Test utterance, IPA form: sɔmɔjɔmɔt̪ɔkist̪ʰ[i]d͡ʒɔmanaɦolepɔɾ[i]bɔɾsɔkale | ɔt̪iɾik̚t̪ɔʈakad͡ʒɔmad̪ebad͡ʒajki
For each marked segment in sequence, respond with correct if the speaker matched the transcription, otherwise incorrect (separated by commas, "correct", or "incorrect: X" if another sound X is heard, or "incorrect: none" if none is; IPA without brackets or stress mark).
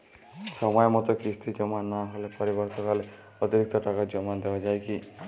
correct, correct